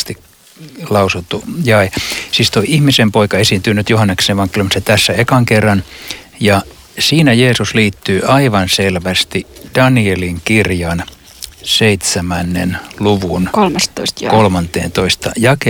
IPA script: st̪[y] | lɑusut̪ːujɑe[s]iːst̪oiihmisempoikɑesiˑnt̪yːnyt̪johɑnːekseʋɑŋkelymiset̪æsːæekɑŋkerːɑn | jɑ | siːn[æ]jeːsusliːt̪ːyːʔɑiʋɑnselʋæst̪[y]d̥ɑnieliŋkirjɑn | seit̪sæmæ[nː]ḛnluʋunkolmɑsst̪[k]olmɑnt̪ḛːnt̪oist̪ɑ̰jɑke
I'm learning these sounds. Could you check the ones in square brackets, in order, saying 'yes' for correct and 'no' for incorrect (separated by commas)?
no, yes, yes, no, yes, yes